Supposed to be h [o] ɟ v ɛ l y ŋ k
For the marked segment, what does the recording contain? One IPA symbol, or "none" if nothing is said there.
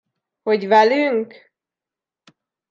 o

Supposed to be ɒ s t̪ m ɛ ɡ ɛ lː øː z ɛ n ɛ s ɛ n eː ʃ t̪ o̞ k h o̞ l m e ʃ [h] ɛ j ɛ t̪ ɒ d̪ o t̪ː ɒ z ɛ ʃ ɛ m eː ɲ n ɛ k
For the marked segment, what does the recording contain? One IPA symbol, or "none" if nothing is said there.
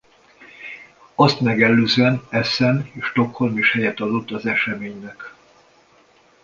h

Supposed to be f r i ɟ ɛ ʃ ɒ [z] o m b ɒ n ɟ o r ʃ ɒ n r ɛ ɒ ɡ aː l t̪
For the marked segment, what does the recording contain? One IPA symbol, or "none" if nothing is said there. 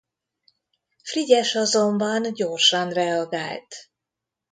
z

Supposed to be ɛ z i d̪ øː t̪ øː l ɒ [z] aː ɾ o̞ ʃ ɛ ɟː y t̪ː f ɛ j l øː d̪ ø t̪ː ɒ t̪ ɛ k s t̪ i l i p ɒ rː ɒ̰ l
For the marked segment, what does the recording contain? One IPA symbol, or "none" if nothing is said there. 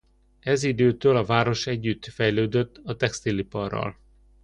v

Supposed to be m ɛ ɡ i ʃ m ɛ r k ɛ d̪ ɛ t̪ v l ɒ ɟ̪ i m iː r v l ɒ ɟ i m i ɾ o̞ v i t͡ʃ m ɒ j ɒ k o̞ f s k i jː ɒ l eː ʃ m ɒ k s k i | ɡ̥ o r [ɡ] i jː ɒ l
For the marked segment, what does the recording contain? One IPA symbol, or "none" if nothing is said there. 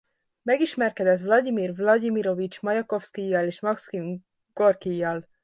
k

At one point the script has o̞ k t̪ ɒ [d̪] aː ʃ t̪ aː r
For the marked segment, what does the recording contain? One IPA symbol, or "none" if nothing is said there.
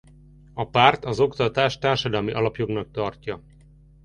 t̪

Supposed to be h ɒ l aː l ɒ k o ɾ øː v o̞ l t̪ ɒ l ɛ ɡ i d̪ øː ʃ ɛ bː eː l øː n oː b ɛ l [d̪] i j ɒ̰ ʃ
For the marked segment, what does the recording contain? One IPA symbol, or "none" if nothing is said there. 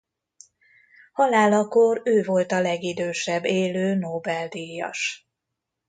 d̪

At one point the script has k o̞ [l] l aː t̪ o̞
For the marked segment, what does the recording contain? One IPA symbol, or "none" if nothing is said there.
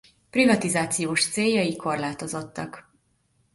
r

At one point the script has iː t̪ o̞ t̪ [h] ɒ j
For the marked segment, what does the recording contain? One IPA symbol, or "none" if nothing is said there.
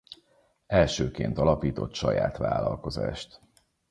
ʃ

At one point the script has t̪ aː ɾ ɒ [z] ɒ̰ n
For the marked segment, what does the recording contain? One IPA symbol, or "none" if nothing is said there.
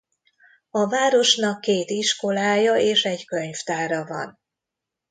v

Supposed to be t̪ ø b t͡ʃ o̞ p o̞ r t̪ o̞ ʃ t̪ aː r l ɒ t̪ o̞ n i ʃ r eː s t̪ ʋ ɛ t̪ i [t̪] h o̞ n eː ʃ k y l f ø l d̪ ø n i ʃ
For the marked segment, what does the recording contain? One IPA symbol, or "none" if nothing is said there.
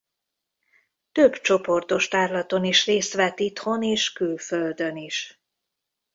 t̪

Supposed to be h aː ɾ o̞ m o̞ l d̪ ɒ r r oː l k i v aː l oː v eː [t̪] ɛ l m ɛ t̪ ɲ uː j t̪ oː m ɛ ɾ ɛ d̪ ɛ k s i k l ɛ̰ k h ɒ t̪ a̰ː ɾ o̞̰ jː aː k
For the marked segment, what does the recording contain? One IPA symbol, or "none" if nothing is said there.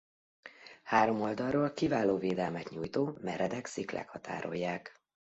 d̪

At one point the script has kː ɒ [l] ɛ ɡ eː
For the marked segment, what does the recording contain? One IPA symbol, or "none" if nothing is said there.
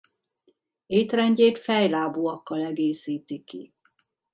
l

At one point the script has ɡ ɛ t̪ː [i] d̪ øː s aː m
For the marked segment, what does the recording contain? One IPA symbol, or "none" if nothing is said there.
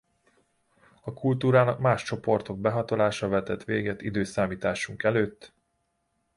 i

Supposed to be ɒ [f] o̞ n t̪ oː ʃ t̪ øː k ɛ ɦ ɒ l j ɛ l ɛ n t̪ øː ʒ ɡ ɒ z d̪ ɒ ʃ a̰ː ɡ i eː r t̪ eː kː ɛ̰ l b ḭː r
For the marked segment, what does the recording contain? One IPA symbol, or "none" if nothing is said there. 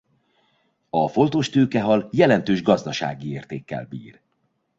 f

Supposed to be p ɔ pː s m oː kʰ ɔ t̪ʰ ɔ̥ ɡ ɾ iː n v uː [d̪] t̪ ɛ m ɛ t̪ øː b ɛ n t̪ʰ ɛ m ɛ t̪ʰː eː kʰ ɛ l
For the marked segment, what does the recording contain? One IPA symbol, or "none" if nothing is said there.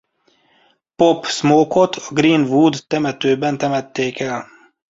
d̪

